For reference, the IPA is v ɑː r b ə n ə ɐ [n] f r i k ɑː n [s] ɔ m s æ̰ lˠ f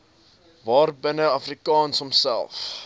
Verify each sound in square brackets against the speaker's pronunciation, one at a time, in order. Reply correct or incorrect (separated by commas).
incorrect, correct